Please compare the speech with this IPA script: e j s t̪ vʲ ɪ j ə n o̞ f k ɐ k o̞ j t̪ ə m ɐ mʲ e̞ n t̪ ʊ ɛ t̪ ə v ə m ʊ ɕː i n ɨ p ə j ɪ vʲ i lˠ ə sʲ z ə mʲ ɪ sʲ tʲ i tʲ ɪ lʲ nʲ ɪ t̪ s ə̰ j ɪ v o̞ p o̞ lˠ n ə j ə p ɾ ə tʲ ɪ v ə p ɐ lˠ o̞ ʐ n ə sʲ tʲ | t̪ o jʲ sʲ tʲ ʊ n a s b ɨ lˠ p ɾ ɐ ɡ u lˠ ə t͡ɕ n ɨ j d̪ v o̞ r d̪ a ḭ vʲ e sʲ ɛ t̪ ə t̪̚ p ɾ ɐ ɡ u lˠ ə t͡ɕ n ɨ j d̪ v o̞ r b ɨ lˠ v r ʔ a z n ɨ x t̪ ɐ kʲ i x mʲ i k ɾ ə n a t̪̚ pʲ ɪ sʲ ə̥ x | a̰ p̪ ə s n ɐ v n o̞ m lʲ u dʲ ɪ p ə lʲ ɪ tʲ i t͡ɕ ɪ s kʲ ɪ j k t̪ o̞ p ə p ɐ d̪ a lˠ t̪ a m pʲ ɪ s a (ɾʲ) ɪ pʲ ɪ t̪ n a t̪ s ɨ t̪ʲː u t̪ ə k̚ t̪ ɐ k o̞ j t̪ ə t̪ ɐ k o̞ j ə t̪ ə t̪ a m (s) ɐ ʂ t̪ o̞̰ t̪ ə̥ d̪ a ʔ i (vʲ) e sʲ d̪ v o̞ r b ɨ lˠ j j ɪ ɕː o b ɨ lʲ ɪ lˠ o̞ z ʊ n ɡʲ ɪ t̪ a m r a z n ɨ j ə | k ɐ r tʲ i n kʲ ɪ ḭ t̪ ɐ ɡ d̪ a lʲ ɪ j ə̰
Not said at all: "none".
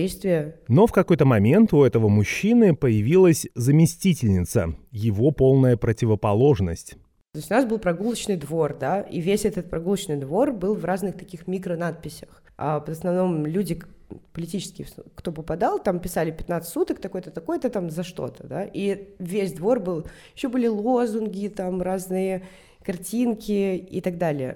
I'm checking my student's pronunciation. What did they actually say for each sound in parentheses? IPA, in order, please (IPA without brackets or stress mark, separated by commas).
lʲ, z, vʲ